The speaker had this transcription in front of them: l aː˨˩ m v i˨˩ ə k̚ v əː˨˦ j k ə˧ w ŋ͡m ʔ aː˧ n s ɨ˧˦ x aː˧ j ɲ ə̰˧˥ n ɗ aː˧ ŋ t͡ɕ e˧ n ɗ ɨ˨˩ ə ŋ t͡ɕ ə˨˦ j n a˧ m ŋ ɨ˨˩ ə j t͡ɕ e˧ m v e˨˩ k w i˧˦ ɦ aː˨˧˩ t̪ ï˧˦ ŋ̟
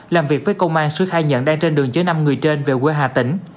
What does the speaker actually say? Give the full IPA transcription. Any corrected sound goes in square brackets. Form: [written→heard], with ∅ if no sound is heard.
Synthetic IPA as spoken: l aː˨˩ m v i˨˩ ə k̚ v əː˨˦ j k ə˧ w ŋ͡m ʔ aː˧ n s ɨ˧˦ x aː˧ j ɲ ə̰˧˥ n ɗ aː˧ ŋ t͡ɕ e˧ n ɗ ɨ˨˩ ə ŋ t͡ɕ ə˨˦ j n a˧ m ŋ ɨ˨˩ ə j t͡ɕ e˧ [m→n] v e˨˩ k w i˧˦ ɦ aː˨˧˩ t̪ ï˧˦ ŋ̟

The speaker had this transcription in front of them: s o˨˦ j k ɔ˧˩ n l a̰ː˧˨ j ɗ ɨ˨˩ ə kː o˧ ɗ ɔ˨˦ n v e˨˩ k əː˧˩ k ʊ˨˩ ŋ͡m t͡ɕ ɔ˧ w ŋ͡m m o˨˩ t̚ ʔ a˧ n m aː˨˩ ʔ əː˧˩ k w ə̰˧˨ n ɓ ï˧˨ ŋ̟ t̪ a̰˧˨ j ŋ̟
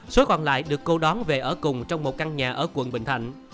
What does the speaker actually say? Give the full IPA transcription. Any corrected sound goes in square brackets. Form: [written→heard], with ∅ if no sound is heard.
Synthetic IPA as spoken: s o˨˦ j k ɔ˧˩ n l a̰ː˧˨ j ɗ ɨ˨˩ ə kː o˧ ɗ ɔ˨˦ n v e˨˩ [k→ʔ] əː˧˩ k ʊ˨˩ ŋ͡m t͡ɕ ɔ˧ w ŋ͡m m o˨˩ t̚ [ʔ→k] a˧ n [m→ɲ] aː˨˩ ʔ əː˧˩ k w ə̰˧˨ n ɓ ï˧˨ ŋ̟ [t̪→t̪ʰ] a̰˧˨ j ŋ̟

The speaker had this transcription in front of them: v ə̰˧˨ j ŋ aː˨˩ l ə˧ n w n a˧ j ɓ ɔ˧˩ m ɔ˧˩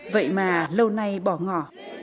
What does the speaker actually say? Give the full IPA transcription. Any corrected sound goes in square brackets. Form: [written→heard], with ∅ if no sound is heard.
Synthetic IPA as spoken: v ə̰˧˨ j [ŋ→m] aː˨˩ l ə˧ [n→∅] w n a˧ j ɓ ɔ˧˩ [m→ŋ] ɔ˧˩

